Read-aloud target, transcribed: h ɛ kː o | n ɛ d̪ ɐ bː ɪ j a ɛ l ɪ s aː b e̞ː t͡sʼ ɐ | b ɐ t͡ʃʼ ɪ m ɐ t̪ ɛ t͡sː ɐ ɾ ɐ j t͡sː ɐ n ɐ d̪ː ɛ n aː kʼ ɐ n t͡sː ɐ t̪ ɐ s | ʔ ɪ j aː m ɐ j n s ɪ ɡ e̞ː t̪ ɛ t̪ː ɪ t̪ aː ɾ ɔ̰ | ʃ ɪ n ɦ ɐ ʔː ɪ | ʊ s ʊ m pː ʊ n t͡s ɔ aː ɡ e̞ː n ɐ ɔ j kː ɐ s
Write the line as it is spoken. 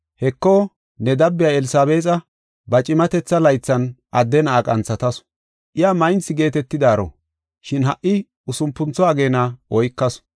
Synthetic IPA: h ɛ kː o | n ɛ d̪ ɐ bː ɪ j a ɛ l ɪ s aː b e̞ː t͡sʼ ɐ | b ɐ t͡ʃʼ ɪ m ɐ t̪ ɛ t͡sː ɐ l ɐ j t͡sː ɐ n ɐ d̪ː ɛ n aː kʼ ɐ n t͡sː ɐ t̪ ɐ s | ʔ ɪ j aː m ɐ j n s ɪ ɡ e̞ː t̪ ɛ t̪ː ɪ d̪ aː ɾ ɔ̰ | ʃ ɪ n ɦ ɐ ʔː ɪ | ʊ s ʊ m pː ʊ n t͡s ɔ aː ɡ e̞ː n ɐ ɔ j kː ɐ s